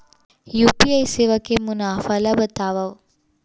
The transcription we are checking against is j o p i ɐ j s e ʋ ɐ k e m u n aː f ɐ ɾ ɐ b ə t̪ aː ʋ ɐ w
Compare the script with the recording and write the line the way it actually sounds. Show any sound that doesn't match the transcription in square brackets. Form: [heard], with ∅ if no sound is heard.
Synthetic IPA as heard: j [u] p i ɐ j s e ʋ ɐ k e m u n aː f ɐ [l] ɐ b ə t̪ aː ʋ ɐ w